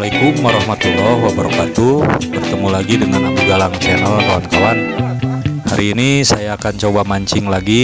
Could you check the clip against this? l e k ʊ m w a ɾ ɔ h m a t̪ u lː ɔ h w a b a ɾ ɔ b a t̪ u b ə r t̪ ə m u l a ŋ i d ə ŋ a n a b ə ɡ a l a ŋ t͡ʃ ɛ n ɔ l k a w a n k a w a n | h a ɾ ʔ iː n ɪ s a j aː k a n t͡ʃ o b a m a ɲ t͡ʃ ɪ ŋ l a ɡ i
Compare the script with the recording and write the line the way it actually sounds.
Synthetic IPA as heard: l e k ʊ m w a ɾ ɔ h m a t̪ u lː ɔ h w a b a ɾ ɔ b a t̪ u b ə r t̪ ə m u l a ɡ i d ə ŋ a n a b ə ɡ a l a ŋ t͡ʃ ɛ n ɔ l k a w a n k a w a n | h a ɾ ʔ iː n i s a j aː k a n t͡ʃ o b a m a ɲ t͡ʃ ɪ ŋ l a ɡ i